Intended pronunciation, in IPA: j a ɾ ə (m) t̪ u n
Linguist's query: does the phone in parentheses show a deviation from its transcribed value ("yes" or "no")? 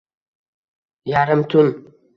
no